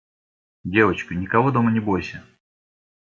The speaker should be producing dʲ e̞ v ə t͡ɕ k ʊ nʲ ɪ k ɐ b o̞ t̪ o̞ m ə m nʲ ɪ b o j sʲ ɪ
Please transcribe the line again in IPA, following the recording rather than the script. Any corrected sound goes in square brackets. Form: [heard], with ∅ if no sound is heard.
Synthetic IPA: dʲ e̞ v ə t͡ɕ k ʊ nʲ ɪ k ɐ [v] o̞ [d̪] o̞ m ə [∅] nʲ ɪ b o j sʲ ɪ